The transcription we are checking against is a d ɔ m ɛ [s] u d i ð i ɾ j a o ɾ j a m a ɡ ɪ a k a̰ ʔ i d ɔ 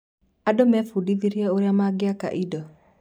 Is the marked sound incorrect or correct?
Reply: incorrect